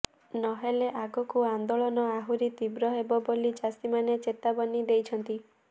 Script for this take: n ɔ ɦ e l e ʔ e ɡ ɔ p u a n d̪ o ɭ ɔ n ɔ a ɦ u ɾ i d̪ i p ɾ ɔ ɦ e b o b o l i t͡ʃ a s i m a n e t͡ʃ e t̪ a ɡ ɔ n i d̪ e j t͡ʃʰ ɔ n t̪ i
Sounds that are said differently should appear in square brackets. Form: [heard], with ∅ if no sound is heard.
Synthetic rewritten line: n ɔ ɦ e l e ʔ [a] ɡ ɔ [k] u a n d̪ o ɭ ɔ n ɔ a ɦ u ɾ i [t̪] i [b] ɾ ɔ ɦ e b [ɔ] b o l i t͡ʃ a s i m a n e t͡ʃ e t̪ a [b] ɔ n i d̪ e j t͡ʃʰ ɔ n t̪ i